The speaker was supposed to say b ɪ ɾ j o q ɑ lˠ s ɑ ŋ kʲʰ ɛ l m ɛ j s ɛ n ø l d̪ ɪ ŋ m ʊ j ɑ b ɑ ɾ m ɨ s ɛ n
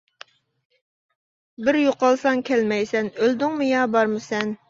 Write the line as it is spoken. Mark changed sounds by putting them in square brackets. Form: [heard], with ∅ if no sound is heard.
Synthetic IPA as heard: b ɪ ɾ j o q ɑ lˠ s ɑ ŋ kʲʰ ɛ l m ɛ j s ɛ n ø l d̪ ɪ ŋ m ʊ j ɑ b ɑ ɾ m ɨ s ɛ n